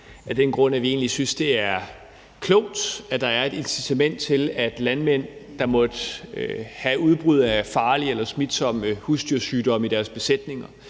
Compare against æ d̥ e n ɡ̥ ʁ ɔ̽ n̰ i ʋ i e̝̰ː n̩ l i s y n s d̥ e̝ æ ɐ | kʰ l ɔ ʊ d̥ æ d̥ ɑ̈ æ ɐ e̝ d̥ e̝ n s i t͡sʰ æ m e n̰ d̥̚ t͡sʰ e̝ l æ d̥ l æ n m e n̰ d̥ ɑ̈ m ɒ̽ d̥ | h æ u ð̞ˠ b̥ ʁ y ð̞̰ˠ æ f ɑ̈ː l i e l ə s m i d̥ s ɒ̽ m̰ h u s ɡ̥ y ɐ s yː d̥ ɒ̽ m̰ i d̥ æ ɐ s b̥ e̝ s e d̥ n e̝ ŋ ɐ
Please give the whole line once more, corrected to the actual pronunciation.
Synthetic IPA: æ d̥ e n ɡ̥ ʁ ɔ̽ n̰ æ ʋ i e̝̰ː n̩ l i s y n s d̥ e̝ æ ɐ | kʰ l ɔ ʊ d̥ æ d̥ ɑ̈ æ ɐ e̝ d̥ e̝ n s i t͡sʰ æ m e n̰ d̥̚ t͡sʰ e̝ l æ d̥ l æ n m e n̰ d̥ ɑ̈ m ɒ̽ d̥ | h æ u ð̞ˠ b̥ ʁ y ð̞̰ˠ æ f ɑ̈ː l i e l ɐ s m i d̥ s ɒ̽ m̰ h u s d̥ y ɐ s yː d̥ ɒ̽ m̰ i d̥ æ ɐ s b̥ e̝ s e d̥ n e̝ ŋ ɐ

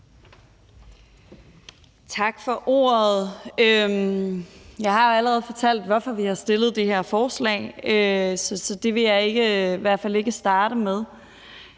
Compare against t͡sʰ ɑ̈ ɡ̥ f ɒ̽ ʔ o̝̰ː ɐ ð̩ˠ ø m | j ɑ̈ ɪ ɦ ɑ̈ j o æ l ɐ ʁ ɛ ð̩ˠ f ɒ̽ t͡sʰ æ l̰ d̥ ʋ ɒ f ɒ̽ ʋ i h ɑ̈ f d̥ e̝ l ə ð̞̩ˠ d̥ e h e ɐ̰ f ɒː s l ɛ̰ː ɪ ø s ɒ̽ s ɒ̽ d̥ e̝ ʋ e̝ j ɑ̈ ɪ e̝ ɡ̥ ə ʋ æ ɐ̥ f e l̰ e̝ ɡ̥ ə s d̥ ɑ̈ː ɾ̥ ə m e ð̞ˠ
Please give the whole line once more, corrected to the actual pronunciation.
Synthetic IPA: t͡sʰ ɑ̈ ɡ̥ f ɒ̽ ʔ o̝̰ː ɐ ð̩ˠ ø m | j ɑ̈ ɪ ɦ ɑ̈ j o æ l ə ʁ ɛ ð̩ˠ f ɒ̽ t͡sʰ æ l̰ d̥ ʋ ɒ f ɒ̽ ʋ i h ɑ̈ s d̥ e̝ l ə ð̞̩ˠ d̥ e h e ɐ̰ f ɒː s l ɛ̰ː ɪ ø s ɒ̽ s ɒ̽ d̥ e̝ ʋ e̝ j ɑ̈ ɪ e̝ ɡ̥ ə ʋ æ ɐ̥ f æ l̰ e̝ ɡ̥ ə s d̥ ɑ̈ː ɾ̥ ə m e ð̞ˠ

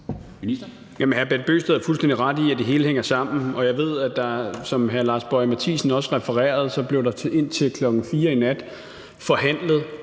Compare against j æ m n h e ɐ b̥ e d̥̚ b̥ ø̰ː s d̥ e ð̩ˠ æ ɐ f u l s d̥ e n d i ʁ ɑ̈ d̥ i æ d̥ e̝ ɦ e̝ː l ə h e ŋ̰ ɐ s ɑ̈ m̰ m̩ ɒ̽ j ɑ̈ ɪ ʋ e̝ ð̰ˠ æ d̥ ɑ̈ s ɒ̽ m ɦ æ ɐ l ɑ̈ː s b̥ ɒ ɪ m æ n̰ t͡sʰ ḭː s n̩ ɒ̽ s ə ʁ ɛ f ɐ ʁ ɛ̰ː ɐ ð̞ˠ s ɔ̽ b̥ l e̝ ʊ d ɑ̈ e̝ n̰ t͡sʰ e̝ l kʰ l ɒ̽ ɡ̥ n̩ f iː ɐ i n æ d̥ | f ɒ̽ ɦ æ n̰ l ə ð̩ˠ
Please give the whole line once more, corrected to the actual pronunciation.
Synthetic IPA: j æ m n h æ ɐ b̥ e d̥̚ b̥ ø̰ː s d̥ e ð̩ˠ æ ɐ f u l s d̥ e n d i ʁ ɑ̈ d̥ i æ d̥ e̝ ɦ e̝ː l ə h e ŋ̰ ɐ s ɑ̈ m̰ n̩ ɒ̽ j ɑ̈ ɪ ʋ e̝ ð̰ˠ æ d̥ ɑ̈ s ɒ̽ m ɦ æ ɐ l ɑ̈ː s b̥ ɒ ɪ m æ t͡sʰ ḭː s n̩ ɒ̽ s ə ʁ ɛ f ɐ ʁ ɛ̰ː ɐ ð̞ˠ s ɒ̽ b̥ l e̝ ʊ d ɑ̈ e̝ n̰ t͡sʰ e̝ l kʰ l ɒ̽ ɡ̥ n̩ f iː ɐ i n æ d̥ | f ɒ̽ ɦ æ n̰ l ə ð̩ˠ

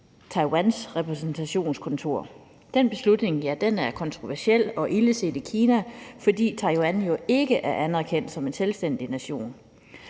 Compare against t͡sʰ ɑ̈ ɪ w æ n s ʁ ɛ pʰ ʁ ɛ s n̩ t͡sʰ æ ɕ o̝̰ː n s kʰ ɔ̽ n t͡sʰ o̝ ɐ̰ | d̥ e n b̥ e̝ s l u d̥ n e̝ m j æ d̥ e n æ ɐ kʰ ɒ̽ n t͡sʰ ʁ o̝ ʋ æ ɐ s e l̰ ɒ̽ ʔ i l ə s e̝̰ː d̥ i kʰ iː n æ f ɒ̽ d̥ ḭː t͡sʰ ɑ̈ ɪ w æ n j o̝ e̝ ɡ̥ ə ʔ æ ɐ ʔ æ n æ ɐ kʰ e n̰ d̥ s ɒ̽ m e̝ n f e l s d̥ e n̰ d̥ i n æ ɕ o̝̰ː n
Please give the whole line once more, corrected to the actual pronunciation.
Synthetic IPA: t͡sʰ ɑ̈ ɪ w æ n s ʁ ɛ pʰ ʁ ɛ s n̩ t͡sʰ æ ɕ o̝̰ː n s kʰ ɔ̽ n t͡sʰ o̝ ɐ̰ | d̥ e n b̥ e̝ s l u d̥ n e̝ ŋ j æ d̥ e n æ ɐ kʰ ɒ̽ n t͡sʰ ʁ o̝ ʋ æ ɐ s e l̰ ɒ̽ ʔ i l ə s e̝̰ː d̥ i kʰ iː n æ f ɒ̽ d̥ ḭː t͡sʰ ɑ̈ ɪ w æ n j o̝ e̝ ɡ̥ ə ʔ æ ɐ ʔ æ n æ ɐ kʰ e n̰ d̥ s ɒ̽ m e̝ n s e l s d̥ e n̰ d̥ i n æ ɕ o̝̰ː n

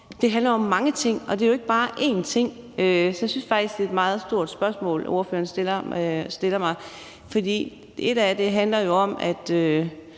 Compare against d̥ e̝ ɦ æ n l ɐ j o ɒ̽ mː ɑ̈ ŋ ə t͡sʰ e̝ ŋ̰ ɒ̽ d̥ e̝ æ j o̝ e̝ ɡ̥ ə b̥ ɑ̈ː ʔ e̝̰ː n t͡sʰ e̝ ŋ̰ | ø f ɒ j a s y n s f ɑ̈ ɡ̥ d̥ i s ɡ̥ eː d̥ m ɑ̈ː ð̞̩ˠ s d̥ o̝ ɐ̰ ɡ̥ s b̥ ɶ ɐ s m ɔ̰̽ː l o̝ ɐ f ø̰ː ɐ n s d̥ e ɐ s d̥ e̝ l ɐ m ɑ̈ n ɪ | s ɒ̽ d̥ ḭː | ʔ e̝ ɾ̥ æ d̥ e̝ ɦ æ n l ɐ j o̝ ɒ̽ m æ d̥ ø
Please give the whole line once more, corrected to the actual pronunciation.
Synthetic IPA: d̥ e̝ ɦ æ n l ɐ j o ɒ̽ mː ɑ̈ ŋ ə t͡sʰ e̝ ŋ̰ ɒ̽ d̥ e̝ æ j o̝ e̝ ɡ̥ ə b̥ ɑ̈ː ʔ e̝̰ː n t͡sʰ e̝ ŋ̰ | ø s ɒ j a s y n s f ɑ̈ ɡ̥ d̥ i s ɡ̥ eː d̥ m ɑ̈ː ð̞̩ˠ s d̥ o̝ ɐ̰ d̥ s b̥ ɶ ɐ s m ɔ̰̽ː l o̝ ɐ f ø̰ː ɐ n s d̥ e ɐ s d̥ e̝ l ɐ m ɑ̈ ɪ | f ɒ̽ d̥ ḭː | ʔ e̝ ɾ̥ æ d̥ e̝ ɦ æ n l ɐ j o̝ ɒ̽ m æ d̥ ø

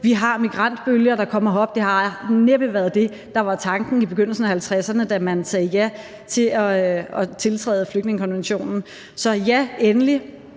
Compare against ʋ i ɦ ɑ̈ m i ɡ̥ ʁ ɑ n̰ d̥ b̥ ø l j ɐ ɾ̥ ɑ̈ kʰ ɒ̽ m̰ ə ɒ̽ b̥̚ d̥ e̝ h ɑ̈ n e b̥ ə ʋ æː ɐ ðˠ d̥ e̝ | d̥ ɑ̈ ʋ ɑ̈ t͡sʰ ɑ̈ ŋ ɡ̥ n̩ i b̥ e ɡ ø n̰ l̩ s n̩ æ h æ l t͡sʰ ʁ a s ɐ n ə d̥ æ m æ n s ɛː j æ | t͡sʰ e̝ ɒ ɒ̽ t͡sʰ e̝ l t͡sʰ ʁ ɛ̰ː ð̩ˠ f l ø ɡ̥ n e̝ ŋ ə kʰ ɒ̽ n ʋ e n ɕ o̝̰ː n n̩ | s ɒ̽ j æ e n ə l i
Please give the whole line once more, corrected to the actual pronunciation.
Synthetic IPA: ʋ i ɦ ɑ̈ m i ɡ̥ ʁ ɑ n̰ d̥ b̥ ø l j ɐ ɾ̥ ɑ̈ kʰ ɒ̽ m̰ ɐ ɒ̽ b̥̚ d̥ e̝ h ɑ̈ n e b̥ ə ʋ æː ɐ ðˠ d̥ e̝ | d̥ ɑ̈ ʋ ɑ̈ t͡sʰ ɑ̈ ŋ ɡ̥ n̩ i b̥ e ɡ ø n̰ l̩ s n̩ æ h æ l t͡sʰ ʁ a s ɐ n ə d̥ æ m æ n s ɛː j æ | t͡sʰ e̝ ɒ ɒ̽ t͡sʰ e̝ l t͡sʰ ʁ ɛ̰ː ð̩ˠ f l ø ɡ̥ n e̝ ŋ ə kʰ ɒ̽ n ʋ e n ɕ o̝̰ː n n̩ | s ɒ̽ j æ e n ə l i

